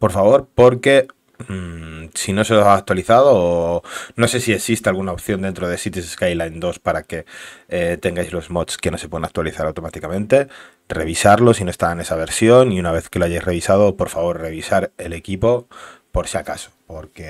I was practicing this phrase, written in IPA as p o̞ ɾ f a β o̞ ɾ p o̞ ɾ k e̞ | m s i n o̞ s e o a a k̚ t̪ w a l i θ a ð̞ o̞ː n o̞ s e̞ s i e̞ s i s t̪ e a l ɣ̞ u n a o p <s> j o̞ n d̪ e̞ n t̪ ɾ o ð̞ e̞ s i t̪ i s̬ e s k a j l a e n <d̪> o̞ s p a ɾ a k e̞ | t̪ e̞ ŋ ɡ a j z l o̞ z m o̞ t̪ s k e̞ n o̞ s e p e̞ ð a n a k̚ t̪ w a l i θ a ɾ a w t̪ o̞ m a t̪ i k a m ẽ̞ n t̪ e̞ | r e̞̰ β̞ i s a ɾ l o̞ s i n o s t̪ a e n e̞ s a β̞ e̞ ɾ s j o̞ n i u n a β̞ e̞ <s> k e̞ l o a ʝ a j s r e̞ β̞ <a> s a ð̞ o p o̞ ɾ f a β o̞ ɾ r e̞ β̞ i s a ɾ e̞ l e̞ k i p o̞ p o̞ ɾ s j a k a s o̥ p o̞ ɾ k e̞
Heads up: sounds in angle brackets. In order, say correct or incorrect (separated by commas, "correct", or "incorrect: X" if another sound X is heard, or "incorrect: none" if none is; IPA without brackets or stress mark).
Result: incorrect: θ, correct, incorrect: θ, incorrect: i